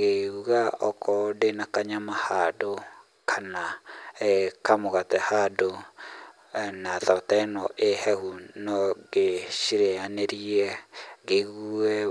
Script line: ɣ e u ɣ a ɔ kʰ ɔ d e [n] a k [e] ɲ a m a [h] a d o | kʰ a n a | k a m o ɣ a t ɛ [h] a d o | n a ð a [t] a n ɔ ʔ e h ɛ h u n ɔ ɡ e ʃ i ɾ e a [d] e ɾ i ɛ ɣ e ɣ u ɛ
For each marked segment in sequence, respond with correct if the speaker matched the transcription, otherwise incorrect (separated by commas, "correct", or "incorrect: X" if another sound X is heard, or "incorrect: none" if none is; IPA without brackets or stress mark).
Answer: correct, incorrect: a, correct, correct, correct, incorrect: n